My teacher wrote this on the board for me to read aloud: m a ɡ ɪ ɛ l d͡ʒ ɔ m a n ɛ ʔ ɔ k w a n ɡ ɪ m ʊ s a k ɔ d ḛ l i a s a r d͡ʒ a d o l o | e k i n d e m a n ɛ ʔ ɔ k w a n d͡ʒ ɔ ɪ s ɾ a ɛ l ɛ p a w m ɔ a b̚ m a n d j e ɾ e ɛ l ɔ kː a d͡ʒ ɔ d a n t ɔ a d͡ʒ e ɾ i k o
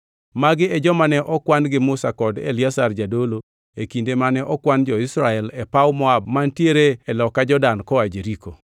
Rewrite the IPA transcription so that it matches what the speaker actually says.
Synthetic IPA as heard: m a ɡ ɪ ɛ d͡ʒ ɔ m a n ɛ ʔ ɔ k w a n ɡ ɪ m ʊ s a k ɔ d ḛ l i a s a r d͡ʒ a d o l o | e k i n d e m a n ɛ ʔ ɔ k w a n d͡ʒ ɔ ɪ s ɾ a ɛ l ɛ p a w m ɔ a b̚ m a n t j e ɾ e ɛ l ɔ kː a d͡ʒ ɔ d a n k ɔ a d͡ʒ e ɾ i k o